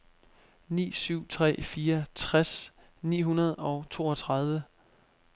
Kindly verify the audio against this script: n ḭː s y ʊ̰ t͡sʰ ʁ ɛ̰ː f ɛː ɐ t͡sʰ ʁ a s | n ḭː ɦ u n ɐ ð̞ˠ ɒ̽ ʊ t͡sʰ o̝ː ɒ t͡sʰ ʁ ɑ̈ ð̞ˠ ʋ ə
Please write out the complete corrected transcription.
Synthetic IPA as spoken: n ḭː s y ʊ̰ t͡sʰ ʁ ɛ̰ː f iː ɐ t͡sʰ ʁ a s | n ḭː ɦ u n ɐ ð̞ˠ ɒ̽ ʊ t͡sʰ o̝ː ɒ t͡sʰ ʁ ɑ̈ ð̞ˠ ʋ ə